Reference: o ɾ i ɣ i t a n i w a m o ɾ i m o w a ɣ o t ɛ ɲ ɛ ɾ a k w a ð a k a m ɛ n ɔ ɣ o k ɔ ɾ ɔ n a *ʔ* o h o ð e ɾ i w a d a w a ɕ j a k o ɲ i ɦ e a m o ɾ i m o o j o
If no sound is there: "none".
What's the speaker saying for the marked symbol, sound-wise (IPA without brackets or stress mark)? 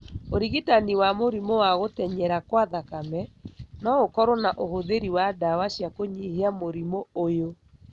ʔ